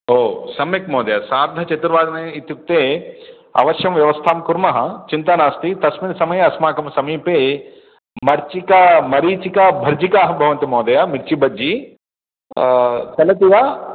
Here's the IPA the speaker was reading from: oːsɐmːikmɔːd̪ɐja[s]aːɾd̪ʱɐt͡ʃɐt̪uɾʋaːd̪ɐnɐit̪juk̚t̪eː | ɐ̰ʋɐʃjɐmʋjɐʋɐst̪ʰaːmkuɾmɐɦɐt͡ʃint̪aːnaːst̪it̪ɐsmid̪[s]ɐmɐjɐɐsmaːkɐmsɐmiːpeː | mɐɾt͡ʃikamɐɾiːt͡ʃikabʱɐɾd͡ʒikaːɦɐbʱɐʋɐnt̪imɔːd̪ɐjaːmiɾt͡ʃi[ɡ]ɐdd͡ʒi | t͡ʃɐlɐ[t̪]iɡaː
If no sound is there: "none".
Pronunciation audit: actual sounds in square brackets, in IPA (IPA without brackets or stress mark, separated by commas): s, s, b, t̪